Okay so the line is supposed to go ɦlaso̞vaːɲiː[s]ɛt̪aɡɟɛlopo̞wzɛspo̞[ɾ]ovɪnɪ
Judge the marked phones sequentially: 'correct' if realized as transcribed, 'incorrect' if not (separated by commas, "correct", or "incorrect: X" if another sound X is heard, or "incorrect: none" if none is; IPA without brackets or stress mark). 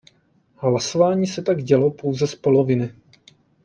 correct, incorrect: l